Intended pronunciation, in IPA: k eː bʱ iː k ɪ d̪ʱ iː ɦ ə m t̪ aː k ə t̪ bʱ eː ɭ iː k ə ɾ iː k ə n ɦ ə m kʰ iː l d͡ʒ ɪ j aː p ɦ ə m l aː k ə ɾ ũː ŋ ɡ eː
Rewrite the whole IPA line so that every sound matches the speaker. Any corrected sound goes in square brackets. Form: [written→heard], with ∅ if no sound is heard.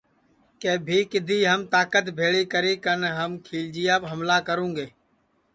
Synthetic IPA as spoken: k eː bʱ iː k ɪ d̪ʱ iː ɦ ə m t̪ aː k ə t̪ bʱ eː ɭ iː k ə ɾ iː k ə n ɦ ə m kʰ iː l d͡ʒ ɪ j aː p ɦ ə m l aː k ə ɾ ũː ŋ ɡ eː